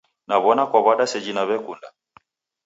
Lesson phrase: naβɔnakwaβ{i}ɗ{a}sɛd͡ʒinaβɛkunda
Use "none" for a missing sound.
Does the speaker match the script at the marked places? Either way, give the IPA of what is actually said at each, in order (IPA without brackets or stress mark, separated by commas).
a, a